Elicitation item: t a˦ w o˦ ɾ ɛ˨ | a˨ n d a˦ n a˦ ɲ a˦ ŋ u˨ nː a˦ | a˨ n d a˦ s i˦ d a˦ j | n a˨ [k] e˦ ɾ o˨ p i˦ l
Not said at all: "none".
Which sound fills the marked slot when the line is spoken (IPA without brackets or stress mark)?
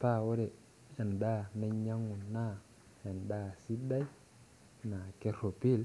k